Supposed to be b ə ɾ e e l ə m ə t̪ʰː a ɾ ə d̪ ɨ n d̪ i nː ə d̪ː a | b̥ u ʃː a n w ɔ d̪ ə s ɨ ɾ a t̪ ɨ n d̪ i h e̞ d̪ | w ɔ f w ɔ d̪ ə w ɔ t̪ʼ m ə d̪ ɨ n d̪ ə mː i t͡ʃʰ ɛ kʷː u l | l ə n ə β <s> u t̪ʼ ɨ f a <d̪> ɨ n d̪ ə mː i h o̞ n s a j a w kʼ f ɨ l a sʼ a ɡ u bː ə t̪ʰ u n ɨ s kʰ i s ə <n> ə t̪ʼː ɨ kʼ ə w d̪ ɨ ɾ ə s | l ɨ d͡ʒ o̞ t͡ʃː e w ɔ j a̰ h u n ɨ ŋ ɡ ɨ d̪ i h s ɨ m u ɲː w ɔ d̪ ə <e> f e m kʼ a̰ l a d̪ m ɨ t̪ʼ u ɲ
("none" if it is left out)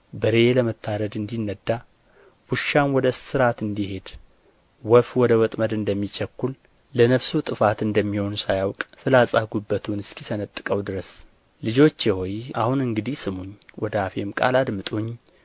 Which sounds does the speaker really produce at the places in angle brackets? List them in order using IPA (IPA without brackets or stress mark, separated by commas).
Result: s, t̪, n, a